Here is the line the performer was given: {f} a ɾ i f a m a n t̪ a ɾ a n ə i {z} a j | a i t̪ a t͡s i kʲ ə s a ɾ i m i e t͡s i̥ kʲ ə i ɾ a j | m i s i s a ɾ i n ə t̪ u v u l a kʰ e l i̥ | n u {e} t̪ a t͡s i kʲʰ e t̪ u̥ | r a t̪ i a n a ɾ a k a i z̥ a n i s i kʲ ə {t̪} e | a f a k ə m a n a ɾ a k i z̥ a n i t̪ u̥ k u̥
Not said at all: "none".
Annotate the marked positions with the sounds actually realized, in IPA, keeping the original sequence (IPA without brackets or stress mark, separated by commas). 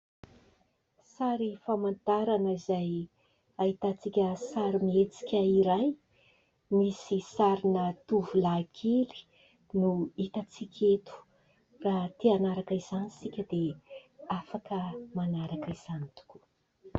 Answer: s, z, i, d̪